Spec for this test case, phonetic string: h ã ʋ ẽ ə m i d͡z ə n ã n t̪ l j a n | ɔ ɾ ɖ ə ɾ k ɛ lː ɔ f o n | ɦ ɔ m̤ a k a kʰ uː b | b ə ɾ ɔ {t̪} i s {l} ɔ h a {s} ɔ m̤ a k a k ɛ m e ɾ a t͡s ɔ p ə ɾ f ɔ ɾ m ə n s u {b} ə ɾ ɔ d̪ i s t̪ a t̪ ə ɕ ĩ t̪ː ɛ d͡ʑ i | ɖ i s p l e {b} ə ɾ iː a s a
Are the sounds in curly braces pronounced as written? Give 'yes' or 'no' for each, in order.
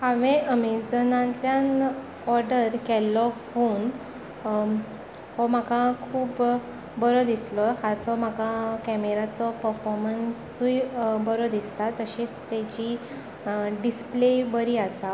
no, yes, no, yes, yes

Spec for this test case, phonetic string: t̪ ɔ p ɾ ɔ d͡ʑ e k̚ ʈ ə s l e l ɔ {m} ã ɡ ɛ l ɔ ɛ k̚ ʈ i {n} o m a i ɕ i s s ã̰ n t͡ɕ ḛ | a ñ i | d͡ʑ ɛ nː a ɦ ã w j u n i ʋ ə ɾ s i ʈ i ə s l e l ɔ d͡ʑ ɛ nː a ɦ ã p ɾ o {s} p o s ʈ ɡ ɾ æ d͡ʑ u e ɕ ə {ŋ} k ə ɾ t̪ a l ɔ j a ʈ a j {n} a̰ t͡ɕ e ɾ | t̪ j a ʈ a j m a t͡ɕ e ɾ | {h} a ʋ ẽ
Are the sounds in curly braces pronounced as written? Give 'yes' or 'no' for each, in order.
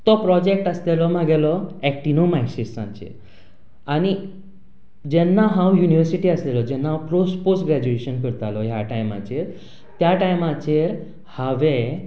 yes, yes, yes, no, no, yes

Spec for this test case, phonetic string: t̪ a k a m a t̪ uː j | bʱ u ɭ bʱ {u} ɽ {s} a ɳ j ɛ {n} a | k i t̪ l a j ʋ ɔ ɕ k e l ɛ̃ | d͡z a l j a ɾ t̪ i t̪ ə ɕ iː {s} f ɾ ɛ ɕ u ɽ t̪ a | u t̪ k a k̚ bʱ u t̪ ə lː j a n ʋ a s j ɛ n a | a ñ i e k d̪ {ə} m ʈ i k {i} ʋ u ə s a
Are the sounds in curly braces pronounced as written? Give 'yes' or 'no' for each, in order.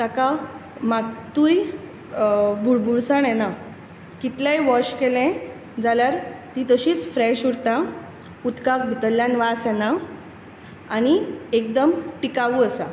yes, yes, yes, no, yes, no

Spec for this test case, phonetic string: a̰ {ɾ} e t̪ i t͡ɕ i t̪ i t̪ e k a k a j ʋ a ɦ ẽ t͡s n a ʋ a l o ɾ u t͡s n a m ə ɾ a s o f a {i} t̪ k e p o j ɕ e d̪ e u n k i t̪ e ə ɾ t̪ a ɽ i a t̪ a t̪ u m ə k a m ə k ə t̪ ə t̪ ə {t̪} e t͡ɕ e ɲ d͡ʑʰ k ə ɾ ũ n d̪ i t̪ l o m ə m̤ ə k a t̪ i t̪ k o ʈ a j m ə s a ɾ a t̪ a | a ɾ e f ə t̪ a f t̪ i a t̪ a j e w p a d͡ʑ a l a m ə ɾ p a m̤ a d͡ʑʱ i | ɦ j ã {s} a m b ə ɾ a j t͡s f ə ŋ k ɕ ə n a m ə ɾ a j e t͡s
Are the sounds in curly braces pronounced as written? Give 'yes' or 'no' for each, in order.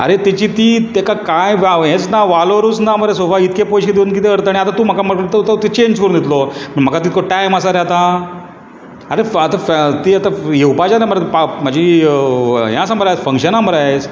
yes, yes, yes, yes

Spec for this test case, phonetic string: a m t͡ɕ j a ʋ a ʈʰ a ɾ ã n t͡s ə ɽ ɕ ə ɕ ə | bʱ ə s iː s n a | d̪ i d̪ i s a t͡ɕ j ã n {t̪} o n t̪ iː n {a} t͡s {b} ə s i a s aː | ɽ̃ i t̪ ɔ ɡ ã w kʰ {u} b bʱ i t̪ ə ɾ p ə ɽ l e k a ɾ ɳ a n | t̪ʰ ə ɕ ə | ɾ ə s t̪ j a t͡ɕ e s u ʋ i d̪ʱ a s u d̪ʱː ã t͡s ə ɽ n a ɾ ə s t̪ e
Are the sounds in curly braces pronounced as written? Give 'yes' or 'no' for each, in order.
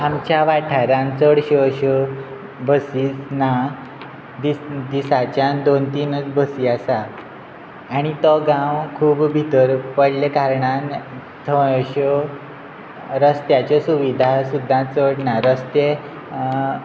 no, no, yes, no

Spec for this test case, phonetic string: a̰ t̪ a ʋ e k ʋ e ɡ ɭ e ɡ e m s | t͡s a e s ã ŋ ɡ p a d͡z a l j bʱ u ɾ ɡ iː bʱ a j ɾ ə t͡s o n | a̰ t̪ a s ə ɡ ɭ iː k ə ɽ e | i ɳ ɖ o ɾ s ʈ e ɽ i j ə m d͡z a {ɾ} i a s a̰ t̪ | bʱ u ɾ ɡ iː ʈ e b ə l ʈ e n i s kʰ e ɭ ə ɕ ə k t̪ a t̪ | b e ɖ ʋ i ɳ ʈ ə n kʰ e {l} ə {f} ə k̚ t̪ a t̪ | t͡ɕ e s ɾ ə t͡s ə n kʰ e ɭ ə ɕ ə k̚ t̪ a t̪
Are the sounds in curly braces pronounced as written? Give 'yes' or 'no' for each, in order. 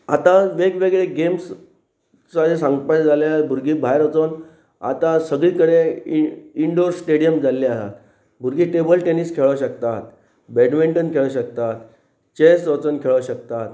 no, no, no

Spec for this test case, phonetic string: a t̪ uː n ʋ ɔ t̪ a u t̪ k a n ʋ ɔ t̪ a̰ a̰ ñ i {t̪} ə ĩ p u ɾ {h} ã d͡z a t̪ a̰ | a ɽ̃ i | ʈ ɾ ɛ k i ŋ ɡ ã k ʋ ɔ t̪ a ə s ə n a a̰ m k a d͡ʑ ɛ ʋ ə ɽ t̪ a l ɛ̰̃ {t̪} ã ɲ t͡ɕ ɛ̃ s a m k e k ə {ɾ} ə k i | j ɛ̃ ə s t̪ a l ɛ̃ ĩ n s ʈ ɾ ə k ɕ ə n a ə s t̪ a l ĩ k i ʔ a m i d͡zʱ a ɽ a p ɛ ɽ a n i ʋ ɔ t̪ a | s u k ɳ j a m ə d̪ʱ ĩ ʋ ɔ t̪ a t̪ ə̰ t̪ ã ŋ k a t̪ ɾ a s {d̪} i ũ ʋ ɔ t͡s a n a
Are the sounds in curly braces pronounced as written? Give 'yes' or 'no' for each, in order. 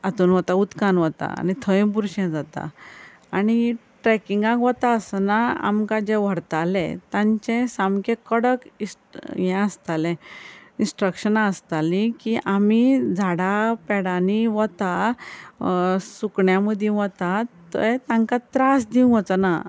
no, no, yes, no, yes

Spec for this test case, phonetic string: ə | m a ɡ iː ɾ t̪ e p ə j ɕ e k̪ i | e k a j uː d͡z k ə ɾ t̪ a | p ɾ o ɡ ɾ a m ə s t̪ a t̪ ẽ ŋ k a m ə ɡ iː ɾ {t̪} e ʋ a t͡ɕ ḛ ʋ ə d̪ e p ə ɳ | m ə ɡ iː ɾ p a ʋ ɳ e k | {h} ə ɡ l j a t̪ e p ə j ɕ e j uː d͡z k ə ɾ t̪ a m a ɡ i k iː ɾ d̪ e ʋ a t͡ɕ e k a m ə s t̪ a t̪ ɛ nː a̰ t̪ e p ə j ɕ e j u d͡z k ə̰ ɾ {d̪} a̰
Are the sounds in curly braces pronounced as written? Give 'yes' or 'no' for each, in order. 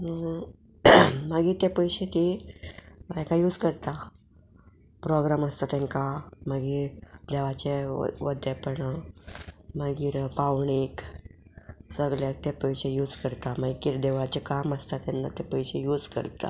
no, no, no

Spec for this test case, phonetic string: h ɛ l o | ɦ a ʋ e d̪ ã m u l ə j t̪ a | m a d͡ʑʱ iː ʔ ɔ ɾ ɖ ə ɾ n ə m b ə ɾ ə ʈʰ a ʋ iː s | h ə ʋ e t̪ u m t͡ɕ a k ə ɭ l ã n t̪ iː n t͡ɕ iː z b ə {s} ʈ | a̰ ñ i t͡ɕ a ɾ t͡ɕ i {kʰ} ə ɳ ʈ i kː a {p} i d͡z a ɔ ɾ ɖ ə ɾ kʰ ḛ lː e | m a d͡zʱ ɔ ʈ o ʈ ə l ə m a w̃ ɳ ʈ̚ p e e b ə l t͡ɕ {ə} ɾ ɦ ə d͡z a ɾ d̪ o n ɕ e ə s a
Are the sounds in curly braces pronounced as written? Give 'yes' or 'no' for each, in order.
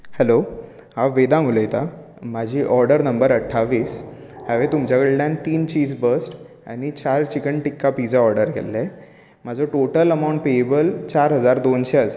yes, no, yes, no

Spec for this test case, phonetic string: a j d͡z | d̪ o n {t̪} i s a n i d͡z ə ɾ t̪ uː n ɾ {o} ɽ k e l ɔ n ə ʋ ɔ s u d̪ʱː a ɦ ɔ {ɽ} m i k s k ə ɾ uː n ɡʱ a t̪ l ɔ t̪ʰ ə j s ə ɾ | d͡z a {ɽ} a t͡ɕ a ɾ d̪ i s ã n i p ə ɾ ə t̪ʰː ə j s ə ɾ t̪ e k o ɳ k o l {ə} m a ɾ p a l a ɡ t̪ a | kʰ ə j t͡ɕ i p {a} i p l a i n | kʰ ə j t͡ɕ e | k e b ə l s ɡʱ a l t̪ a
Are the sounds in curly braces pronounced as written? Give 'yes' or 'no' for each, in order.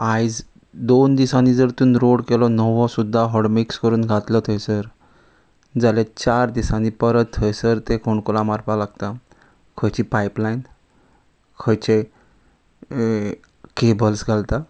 no, yes, yes, no, no, yes

